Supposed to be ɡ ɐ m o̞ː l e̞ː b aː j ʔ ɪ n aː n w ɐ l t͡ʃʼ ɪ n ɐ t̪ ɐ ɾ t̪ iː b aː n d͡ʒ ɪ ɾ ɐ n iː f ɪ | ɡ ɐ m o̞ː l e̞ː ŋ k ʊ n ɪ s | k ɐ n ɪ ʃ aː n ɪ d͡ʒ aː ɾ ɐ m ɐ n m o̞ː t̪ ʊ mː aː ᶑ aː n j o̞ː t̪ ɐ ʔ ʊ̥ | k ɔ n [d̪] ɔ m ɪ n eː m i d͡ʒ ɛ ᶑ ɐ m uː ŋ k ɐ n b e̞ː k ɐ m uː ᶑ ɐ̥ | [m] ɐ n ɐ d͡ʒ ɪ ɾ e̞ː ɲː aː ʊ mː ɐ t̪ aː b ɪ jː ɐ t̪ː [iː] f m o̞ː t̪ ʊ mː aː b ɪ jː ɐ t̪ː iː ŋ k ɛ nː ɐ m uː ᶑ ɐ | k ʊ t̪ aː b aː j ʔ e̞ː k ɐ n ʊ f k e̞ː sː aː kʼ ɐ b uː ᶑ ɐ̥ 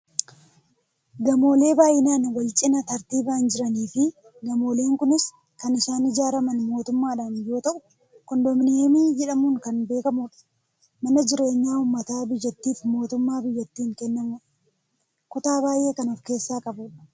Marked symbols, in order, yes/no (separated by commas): yes, yes, yes